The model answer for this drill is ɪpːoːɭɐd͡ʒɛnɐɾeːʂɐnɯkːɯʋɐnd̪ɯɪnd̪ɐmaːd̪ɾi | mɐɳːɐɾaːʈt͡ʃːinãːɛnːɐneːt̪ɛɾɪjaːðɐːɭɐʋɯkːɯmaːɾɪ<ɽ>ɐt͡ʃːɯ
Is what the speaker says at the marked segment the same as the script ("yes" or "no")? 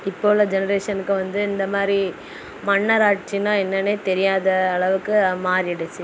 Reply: yes